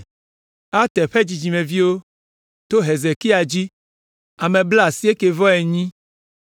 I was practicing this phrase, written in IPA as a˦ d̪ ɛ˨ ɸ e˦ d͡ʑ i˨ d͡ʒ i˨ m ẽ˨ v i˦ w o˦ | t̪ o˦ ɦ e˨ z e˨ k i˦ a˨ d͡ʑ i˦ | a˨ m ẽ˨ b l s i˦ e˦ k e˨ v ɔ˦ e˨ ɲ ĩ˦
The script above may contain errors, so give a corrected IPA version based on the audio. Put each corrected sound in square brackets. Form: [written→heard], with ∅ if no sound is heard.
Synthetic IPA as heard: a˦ [d̪→t̪] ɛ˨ ɸ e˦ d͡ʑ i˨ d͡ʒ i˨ m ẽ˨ v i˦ w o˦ | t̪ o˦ ɦ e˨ z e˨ k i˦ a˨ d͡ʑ i˦ | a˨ m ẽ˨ b l s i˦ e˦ k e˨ v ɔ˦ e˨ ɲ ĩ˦

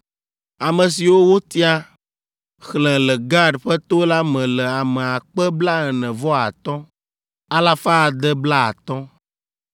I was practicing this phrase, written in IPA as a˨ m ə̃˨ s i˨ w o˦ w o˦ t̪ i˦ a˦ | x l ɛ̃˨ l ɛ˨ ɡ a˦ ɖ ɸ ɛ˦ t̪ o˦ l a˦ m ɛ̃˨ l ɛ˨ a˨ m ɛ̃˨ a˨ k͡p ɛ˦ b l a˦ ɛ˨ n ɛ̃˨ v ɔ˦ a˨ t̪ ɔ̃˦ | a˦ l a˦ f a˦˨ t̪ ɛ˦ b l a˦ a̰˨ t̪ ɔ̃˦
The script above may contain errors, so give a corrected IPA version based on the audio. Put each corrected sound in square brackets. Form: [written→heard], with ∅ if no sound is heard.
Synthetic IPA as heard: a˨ m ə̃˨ s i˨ w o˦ w o˦ t̪ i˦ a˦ | x l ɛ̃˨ l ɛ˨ ɡ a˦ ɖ ɸ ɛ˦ t̪ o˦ l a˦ m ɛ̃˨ l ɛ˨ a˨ m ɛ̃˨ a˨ k͡p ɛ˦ b l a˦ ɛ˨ n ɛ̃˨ v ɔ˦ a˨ t̪ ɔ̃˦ | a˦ l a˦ f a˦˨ [t̪→d̪] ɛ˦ b l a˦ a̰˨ t̪ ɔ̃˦

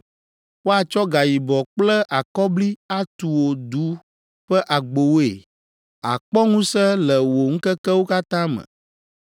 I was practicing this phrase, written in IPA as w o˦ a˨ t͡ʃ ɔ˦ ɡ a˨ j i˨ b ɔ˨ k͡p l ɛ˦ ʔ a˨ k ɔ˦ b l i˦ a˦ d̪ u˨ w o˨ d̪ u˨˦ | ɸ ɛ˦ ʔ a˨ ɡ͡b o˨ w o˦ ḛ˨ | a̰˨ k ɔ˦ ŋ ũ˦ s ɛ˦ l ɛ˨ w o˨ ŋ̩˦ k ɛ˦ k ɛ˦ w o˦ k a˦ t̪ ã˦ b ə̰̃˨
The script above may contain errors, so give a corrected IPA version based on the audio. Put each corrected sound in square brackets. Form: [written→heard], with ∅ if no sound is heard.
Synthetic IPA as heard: w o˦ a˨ t͡ʃ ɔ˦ ɡ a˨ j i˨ b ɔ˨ k͡p l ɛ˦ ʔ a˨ k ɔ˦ b l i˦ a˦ [d̪→t̪] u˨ w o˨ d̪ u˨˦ | ɸ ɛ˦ ʔ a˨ ɡ͡b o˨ w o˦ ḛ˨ | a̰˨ [k→k͡p] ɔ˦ ŋ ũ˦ s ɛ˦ l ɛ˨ w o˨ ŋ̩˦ k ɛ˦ k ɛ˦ w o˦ k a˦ t̪ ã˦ [b→m] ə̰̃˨

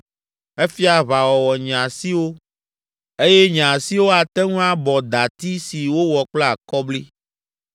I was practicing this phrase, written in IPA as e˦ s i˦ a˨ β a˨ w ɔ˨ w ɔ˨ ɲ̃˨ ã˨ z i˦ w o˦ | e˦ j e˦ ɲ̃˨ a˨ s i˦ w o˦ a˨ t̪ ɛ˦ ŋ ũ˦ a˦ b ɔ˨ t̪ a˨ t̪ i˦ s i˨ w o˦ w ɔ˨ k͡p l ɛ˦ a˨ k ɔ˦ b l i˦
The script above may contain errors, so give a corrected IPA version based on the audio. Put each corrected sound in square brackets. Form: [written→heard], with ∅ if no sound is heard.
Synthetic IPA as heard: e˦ [s→f] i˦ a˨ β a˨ w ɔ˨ w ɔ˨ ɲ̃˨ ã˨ [z→s] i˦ w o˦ | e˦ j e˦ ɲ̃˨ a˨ s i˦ w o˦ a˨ t̪ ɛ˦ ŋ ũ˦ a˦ b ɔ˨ [t̪→d̪] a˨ t̪ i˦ s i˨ w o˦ w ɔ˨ k͡p l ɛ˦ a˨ k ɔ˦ b l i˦

